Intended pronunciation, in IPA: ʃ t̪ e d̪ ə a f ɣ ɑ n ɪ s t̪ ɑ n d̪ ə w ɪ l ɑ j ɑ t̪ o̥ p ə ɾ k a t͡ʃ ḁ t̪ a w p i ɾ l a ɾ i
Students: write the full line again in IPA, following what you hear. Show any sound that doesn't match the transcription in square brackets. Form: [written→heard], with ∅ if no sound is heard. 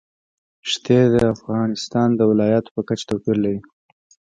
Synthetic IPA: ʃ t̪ e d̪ ə a f ɣ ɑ n ɪ s t̪ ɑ n d̪ ə w ɪ l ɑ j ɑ t̪ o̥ p ə [ɾ→∅] k a t͡ʃ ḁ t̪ a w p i ɾ l a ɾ i